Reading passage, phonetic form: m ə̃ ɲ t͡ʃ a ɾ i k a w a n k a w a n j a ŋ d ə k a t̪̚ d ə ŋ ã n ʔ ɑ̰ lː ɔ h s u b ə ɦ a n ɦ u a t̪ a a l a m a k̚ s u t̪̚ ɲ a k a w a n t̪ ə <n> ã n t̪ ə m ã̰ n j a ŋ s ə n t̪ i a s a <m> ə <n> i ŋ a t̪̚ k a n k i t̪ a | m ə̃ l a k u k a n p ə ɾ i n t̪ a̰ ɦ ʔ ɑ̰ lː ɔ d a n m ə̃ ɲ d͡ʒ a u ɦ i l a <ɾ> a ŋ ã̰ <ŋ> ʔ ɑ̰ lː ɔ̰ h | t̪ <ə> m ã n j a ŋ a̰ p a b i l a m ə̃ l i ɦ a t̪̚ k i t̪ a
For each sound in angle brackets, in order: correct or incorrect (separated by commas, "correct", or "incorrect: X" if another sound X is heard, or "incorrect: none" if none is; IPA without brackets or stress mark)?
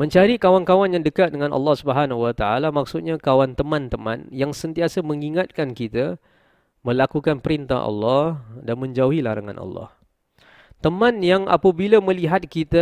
incorrect: m, correct, incorrect: ŋ, correct, incorrect: n, correct